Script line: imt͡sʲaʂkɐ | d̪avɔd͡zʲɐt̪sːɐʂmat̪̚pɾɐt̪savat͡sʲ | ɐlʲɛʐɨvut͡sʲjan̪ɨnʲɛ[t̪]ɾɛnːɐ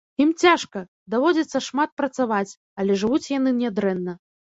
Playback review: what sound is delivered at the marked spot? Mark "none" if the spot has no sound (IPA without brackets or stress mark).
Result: d̪